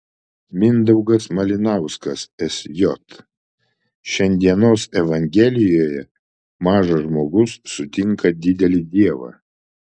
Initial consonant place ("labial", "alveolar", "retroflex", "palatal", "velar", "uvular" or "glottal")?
labial